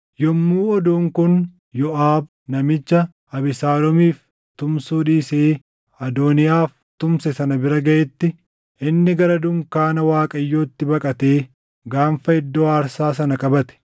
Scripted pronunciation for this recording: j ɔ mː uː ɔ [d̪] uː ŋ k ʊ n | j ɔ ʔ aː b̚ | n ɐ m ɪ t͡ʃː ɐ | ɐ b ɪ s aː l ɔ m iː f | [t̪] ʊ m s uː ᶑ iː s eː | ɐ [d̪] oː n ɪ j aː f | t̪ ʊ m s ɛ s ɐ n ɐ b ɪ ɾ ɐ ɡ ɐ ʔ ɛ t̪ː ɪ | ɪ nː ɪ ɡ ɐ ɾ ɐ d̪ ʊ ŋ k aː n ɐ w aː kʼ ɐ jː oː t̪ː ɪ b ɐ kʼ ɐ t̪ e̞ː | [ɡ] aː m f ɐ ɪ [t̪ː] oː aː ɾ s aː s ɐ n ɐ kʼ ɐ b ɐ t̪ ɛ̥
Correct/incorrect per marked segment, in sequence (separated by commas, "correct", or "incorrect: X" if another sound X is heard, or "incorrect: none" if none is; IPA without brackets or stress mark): correct, correct, correct, correct, incorrect: d̪ː